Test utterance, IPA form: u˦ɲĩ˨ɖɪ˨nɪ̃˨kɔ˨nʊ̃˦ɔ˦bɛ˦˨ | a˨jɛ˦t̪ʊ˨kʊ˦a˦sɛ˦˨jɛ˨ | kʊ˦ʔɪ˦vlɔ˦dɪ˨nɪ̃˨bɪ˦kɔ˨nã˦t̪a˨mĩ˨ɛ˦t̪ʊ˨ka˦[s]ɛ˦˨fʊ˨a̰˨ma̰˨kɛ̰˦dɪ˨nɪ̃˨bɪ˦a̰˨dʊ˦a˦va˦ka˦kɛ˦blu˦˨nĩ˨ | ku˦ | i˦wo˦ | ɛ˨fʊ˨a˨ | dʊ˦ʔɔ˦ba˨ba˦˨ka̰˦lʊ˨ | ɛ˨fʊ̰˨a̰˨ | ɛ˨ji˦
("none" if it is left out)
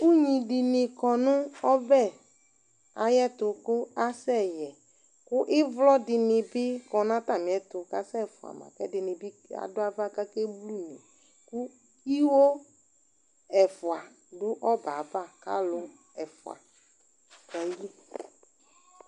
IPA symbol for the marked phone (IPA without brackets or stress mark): s